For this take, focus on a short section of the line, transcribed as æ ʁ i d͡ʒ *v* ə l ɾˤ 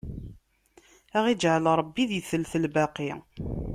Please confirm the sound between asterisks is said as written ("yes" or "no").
no